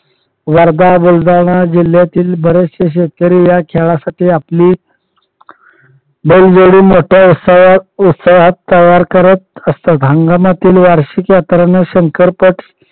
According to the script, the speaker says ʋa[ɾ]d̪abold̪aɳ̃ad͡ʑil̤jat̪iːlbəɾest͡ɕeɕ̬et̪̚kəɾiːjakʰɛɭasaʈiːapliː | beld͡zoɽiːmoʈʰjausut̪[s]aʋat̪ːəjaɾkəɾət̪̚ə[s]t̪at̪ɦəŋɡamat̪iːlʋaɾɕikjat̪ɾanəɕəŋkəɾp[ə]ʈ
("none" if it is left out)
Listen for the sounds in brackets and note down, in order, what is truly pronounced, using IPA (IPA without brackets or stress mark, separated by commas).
ɾ, s, s, ə